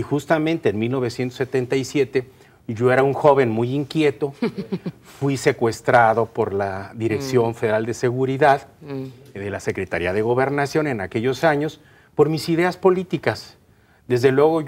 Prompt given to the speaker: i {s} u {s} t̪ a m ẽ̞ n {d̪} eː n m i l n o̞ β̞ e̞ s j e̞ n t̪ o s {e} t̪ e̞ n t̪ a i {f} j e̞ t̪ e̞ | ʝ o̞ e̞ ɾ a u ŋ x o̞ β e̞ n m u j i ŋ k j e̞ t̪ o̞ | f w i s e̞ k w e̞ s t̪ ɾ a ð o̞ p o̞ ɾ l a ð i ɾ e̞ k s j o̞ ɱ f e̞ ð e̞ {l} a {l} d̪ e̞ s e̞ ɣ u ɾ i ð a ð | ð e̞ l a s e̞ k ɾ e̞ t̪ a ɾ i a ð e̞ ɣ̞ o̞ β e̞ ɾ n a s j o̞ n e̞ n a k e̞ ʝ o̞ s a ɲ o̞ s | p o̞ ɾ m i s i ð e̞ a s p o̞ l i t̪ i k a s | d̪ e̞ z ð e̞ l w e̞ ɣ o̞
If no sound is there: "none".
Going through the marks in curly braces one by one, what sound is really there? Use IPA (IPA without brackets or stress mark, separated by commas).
x, s, t̪, e, s, ɾ, l